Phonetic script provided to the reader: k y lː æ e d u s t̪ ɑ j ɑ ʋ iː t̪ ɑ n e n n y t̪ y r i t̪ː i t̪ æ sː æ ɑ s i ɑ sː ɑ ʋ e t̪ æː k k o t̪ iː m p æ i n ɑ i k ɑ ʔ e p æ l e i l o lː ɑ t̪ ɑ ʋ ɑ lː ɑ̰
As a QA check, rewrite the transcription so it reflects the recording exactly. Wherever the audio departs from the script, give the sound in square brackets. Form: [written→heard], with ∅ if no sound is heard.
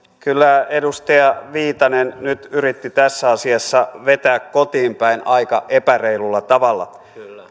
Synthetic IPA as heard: k y lː æ e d u s t̪ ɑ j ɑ ʋ iː t̪ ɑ n e n n y t̪ y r i t̪ː i t̪ æ sː æ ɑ s i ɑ sː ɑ ʋ e t̪ æː k k o t̪ iː m p æ i n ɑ i k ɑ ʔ e p æ [l→r] e i l [o→u] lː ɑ t̪ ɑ ʋ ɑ lː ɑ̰